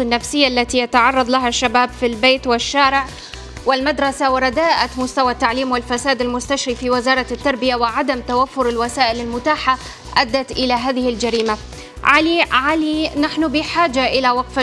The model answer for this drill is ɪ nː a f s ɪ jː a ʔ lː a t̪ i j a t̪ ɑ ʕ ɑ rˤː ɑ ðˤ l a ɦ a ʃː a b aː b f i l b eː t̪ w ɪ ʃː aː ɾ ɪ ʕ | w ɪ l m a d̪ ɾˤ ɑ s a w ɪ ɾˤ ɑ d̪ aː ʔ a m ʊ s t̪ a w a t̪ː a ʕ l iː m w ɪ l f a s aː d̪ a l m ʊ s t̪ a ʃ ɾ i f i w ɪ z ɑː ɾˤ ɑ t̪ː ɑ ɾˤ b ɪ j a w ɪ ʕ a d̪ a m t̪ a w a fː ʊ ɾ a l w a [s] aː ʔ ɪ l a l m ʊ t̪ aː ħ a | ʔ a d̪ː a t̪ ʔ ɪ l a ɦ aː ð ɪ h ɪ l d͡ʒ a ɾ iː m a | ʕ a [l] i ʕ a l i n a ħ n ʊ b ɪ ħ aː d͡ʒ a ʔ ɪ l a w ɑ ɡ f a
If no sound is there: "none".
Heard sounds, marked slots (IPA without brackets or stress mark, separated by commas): s, l